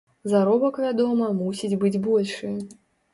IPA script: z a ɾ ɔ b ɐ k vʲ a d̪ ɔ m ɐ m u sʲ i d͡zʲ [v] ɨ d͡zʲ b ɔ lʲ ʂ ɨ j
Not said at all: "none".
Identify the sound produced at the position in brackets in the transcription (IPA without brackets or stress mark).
b